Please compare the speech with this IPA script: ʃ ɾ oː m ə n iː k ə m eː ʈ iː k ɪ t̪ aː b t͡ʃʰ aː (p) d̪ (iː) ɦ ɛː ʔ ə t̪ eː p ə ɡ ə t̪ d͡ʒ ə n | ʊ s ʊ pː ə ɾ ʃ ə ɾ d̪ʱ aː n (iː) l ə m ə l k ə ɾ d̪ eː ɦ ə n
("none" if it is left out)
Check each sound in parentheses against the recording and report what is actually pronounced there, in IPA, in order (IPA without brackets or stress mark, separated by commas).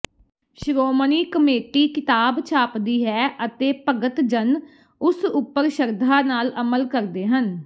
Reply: p, iː, aː